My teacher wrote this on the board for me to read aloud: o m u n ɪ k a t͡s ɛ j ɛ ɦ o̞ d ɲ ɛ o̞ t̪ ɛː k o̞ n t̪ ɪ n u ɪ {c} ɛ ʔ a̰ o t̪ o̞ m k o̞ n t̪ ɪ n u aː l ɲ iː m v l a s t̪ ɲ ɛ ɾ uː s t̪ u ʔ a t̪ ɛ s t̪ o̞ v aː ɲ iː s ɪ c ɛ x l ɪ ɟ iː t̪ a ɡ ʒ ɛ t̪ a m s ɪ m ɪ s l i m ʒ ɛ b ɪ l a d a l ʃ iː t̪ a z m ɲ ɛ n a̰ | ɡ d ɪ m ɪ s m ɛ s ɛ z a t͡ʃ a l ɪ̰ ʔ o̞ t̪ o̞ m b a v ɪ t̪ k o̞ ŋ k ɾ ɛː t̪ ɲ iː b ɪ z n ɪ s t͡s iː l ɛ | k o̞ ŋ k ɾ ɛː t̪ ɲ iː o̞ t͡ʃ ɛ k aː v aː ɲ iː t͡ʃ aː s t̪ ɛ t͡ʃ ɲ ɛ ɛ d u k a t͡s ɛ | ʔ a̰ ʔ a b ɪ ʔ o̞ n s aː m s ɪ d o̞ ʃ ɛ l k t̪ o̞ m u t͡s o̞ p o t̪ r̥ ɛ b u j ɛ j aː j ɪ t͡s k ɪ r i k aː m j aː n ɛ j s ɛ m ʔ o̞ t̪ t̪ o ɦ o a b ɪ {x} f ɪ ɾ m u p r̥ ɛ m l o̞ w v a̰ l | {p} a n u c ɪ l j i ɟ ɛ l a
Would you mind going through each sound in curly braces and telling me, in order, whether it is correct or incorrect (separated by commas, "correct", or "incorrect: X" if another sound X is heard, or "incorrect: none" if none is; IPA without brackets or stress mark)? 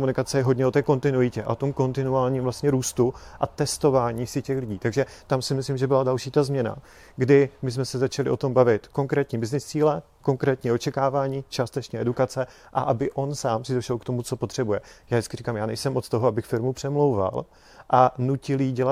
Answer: correct, correct, incorrect: ʔ